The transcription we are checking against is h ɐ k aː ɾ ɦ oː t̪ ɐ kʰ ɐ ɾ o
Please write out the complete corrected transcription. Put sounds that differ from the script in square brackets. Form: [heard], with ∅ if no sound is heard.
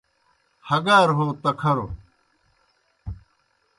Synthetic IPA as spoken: h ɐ [ɡ] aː ɾ ɦ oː t̪ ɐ kʰ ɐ ɾ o